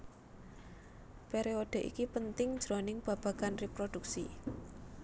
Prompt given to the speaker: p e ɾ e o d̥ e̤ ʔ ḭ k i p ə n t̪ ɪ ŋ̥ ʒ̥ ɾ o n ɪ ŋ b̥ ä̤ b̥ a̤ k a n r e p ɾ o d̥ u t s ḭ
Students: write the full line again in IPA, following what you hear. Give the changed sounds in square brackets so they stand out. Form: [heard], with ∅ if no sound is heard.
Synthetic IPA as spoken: p e ɾ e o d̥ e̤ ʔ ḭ k i p ə n t̪ ɪ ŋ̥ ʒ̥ ɾ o n ɪ ŋ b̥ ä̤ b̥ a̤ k a n r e p ɾ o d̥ u [k] s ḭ